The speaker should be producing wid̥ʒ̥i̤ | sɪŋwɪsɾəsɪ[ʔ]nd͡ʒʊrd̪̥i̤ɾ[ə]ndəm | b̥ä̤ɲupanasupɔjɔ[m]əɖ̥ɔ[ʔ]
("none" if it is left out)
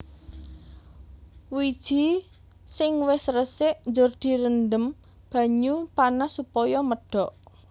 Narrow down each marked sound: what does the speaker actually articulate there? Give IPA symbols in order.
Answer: ʔ, ə, m, ʔ

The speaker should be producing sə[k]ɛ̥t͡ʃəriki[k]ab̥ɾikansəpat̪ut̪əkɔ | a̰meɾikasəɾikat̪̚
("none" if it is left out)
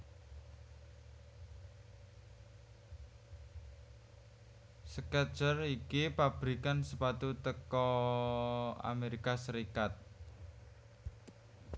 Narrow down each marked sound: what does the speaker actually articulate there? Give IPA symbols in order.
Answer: k, p

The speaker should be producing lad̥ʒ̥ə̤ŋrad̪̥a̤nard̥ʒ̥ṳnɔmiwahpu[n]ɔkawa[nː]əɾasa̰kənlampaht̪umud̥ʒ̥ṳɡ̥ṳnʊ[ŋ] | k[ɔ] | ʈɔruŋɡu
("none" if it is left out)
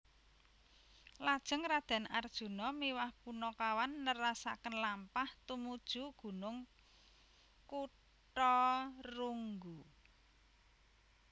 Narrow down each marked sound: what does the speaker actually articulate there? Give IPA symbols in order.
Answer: n, nː, ŋ, u

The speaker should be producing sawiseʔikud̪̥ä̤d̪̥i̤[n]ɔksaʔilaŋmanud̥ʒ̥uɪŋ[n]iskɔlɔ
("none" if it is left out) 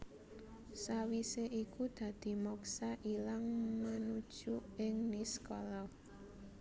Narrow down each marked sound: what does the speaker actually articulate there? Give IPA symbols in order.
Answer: m, n

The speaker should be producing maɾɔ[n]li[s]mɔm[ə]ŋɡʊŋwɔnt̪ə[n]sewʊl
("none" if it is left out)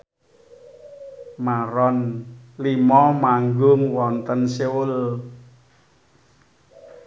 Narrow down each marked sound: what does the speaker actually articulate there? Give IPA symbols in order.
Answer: n, none, a, n

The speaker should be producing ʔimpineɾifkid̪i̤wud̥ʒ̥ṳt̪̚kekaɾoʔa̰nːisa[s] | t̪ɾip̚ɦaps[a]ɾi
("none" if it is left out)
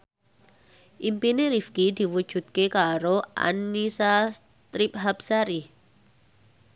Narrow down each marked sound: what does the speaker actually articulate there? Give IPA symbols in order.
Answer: s, a

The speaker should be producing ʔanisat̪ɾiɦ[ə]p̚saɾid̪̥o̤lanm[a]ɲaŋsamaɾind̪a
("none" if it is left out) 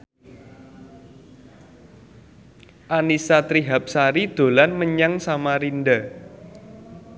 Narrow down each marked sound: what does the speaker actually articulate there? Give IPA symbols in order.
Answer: a, ə

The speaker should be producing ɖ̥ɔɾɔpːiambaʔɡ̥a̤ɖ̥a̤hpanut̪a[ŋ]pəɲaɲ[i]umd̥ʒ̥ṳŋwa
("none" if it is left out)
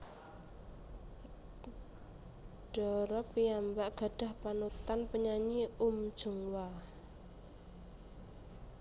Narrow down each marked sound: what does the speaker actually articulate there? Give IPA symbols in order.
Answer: n, i

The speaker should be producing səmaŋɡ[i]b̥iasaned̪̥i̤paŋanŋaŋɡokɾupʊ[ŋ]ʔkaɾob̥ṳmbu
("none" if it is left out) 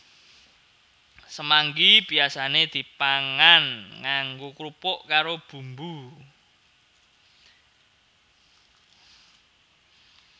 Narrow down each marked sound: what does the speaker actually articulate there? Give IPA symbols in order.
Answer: i, none

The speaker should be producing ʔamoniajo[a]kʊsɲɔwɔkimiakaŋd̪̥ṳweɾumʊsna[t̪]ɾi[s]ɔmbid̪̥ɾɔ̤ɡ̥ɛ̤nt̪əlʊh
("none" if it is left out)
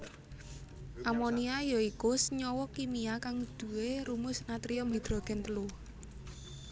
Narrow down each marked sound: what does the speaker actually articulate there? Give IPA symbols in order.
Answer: i, t̪, none

